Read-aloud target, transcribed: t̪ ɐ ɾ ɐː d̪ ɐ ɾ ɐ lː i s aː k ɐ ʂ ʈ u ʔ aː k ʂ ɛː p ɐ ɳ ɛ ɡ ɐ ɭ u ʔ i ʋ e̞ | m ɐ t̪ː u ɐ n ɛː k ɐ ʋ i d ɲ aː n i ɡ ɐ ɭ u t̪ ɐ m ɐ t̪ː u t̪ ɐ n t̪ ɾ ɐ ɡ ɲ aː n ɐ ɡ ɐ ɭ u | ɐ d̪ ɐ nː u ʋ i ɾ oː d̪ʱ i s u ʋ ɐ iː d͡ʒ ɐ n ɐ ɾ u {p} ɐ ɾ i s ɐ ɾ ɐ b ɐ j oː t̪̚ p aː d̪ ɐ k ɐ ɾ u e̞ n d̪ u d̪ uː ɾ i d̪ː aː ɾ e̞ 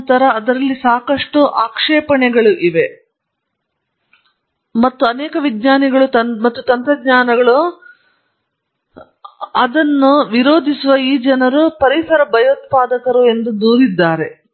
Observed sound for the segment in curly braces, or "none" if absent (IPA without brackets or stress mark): p